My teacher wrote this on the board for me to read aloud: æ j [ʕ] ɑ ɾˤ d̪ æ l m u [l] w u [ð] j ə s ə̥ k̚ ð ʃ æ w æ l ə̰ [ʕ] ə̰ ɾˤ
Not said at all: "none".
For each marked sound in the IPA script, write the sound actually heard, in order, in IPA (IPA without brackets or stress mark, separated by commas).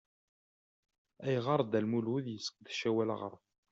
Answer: ʁ, l, ð, ʁ